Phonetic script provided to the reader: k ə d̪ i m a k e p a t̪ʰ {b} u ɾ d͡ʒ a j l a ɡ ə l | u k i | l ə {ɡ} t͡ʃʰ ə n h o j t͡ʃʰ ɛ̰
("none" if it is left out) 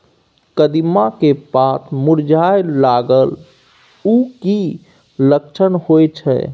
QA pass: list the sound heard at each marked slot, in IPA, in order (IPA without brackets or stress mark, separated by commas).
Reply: m, k